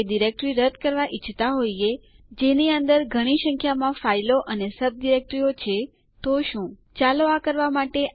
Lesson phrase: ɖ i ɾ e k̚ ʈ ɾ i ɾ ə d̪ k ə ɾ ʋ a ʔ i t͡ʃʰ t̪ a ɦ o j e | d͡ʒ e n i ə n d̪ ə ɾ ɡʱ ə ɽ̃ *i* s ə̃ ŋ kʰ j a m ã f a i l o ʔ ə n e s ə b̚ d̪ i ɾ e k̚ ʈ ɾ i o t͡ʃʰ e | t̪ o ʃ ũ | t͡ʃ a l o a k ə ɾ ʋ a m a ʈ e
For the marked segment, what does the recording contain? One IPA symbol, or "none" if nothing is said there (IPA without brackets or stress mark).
i